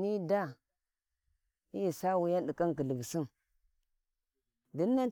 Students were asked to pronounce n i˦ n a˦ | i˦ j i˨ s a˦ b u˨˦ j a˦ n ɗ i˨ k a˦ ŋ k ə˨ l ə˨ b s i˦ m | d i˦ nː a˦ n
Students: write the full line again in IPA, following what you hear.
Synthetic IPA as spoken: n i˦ d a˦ | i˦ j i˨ s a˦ w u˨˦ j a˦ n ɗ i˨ k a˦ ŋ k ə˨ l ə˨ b s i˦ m | d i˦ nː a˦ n